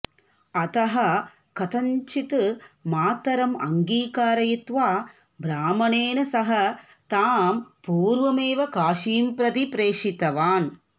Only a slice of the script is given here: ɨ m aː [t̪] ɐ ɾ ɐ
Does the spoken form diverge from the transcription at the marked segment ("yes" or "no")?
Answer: no